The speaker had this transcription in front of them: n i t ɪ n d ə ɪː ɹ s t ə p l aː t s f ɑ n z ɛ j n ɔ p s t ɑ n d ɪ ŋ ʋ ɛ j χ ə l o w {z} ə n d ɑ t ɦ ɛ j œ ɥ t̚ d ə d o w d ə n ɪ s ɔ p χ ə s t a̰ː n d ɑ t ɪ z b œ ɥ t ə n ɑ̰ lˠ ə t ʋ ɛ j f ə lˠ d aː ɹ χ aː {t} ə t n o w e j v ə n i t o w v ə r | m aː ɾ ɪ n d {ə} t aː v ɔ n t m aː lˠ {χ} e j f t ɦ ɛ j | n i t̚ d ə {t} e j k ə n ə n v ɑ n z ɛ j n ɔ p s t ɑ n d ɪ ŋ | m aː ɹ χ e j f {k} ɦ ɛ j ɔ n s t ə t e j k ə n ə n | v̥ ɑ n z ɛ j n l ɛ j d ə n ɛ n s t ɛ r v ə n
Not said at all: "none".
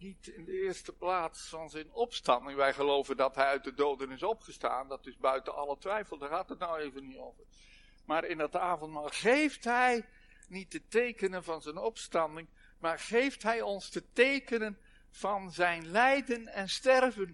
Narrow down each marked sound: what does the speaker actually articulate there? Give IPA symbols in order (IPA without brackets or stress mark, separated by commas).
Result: v, t, ɑ, χ, t, t